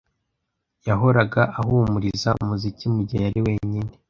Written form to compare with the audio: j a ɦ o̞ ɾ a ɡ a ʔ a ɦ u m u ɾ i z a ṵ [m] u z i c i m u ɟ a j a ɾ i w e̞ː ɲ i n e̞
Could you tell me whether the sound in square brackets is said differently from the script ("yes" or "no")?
no